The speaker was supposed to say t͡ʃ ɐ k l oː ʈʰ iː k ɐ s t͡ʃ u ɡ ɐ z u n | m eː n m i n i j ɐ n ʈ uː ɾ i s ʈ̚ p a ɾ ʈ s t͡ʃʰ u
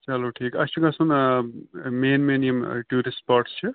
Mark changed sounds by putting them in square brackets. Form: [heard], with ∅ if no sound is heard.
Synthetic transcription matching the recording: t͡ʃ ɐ [∅] l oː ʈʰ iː k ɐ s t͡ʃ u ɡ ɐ [s] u n | m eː n m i n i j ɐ [m] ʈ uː ɾ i s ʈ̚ p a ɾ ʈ s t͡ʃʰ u